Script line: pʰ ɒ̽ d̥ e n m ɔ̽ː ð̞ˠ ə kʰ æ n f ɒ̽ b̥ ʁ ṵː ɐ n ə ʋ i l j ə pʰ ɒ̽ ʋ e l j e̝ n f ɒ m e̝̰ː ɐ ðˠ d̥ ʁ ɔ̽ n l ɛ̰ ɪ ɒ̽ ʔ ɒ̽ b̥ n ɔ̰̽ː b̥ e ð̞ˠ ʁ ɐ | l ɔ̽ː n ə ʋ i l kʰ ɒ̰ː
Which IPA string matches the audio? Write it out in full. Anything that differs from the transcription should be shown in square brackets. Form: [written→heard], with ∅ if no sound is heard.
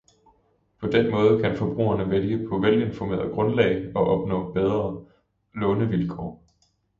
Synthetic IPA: pʰ ɒ̽ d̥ e n m ɔ̽ː ð̞ˠ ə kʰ æ n f ɒ̽ b̥ ʁ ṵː ɐ n ə ʋ [i→e] l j ə pʰ ɒ̽ ʋ e l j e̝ n f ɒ m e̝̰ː ɐ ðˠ [d̥→ɡ̥] ʁ ɔ̽ n l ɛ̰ ɪ ɒ̽ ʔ ɒ̽ b̥ n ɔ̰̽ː b̥ e ð̞ˠ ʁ ɐ | l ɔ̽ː n ə ʋ i l kʰ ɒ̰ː